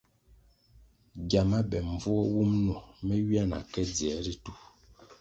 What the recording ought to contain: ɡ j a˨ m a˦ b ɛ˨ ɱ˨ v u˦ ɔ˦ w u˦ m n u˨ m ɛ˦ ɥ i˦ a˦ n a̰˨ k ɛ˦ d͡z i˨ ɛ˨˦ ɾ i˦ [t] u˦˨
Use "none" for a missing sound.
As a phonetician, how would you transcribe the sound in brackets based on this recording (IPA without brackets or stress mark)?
t